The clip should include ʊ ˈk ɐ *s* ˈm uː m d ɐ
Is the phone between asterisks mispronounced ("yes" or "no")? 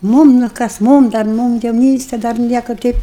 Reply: no